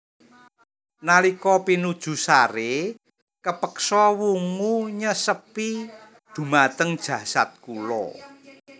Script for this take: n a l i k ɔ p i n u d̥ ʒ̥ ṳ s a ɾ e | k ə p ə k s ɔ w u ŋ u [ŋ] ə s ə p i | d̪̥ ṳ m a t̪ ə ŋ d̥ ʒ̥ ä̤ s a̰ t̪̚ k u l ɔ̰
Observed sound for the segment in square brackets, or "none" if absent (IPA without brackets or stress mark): ɲ